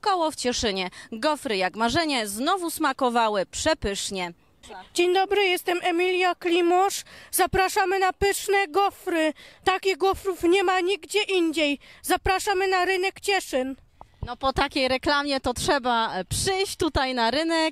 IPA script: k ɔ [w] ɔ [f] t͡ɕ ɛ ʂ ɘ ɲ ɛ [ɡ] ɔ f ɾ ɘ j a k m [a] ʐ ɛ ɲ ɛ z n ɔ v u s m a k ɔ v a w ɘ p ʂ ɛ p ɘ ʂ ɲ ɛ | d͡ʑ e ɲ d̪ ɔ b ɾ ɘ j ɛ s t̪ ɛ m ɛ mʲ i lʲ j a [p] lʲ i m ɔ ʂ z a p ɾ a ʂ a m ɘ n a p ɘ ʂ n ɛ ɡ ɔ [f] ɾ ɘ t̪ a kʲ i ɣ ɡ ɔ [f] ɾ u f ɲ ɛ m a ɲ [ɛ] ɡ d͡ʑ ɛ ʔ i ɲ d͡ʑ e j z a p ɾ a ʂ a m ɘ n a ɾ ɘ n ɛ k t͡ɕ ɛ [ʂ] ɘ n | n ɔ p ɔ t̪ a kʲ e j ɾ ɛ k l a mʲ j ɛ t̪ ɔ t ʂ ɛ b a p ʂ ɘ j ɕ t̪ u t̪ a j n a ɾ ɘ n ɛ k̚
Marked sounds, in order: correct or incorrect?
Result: correct, correct, correct, correct, incorrect, correct, correct, incorrect, correct

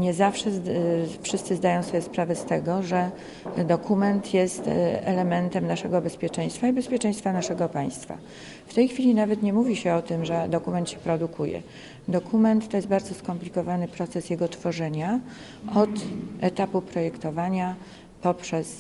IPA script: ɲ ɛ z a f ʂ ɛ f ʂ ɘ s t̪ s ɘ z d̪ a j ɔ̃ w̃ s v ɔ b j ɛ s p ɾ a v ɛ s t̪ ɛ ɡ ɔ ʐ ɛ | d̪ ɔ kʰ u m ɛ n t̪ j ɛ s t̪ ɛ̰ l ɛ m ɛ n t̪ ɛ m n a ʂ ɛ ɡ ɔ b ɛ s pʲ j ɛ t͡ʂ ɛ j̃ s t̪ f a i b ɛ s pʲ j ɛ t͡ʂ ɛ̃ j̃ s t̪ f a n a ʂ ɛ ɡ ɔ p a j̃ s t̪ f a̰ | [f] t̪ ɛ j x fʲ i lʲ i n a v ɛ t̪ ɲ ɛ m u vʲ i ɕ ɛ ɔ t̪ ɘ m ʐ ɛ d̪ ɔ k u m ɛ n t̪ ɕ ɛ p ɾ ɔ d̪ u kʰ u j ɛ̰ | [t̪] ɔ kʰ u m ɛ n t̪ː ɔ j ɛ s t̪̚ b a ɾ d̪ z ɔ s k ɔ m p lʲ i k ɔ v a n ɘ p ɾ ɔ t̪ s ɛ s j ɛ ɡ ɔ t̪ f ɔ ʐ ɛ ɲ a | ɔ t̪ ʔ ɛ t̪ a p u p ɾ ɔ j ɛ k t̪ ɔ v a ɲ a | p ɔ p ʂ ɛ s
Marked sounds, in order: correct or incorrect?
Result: correct, incorrect

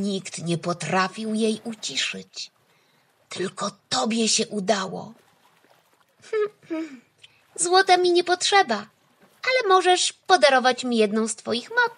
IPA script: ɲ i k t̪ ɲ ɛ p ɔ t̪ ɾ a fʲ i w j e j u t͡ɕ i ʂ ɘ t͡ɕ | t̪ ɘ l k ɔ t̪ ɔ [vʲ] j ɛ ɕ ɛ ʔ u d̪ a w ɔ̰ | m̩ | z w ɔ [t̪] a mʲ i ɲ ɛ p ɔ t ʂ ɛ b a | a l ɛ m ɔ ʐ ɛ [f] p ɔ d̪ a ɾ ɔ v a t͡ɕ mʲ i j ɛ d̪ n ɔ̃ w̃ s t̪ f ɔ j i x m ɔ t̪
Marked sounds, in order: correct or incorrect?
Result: incorrect, correct, incorrect

